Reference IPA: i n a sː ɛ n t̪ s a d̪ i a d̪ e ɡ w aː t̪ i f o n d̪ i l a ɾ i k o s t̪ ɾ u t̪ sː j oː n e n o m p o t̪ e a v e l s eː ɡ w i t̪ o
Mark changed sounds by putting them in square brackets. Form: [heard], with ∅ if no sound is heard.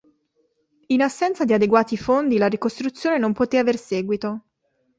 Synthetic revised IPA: i n a sː ɛ n t̪ s a d̪ i a d̪ e ɡ w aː t̪ i f o n d̪ i l a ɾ i k o s t̪ ɾ u t̪ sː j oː n e n o m p o t̪ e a v e [r] s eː ɡ w i t̪ o